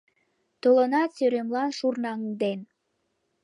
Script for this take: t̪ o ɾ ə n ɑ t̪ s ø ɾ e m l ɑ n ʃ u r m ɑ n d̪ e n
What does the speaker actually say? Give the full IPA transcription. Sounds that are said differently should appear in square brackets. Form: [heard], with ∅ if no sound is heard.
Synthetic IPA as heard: t̪ o [l] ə n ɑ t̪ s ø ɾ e m l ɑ n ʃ u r [n] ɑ [ŋ] d̪ e n

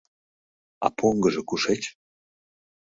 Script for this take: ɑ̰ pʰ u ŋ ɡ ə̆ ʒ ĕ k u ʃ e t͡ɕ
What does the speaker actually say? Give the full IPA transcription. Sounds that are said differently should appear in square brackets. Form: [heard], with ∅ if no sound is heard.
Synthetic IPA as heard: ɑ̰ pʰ [o] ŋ ɡ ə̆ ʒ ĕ k u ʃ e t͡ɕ

